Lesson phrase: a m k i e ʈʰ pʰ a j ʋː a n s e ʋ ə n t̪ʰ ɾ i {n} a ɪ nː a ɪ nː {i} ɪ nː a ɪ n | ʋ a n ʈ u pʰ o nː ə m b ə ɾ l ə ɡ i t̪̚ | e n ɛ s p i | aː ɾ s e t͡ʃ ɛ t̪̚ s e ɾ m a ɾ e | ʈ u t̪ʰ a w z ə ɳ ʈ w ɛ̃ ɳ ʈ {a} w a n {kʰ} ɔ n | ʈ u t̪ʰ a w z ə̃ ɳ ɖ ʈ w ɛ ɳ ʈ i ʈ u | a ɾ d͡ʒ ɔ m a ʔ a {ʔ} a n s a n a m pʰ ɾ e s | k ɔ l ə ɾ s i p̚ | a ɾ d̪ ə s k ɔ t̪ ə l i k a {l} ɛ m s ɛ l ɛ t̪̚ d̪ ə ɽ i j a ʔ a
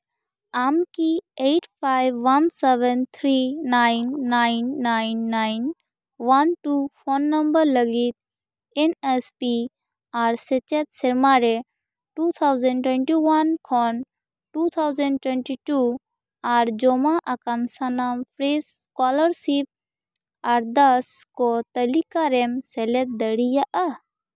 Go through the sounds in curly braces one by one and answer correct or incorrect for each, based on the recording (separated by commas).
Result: correct, incorrect, incorrect, correct, incorrect, incorrect